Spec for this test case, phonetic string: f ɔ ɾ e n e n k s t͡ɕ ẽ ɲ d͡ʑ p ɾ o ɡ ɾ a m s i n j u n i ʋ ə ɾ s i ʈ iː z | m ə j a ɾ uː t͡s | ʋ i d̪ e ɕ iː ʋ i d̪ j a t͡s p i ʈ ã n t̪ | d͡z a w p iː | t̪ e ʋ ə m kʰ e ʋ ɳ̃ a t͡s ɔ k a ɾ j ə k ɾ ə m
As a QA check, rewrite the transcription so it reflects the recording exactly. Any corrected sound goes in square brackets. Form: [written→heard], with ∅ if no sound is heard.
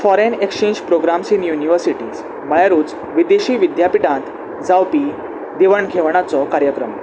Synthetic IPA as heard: f ɔ ɾ e n e [n→∅] k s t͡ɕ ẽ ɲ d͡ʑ p ɾ o ɡ ɾ a m s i n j u n i ʋ ə ɾ s i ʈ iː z | m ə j a ɾ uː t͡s | ʋ i d̪ e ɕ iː ʋ i d̪ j a [t͡s→∅] p i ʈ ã n t̪ | d͡z a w p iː | [t̪→d̪] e ʋ ə [m→ɳ] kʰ e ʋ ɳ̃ a t͡s ɔ k a ɾ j ə k ɾ ə m